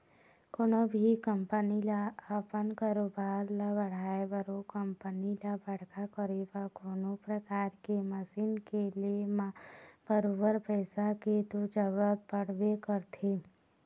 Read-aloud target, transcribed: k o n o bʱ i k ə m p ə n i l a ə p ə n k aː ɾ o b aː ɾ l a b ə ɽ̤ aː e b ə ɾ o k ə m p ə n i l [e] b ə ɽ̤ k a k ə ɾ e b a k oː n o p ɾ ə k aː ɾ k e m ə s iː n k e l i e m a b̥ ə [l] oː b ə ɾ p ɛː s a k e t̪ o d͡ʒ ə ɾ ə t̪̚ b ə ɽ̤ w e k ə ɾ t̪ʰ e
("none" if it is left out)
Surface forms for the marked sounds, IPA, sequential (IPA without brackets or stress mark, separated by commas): a, ɾ